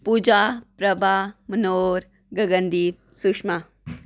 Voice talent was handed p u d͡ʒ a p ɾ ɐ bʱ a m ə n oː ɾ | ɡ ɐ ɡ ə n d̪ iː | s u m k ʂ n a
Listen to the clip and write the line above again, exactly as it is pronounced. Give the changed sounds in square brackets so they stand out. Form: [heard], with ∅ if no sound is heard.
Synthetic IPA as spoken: p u d͡ʒ a p ɾ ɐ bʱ a m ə n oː ɾ | ɡ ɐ ɡ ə n d̪ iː | s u [∅] k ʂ [m] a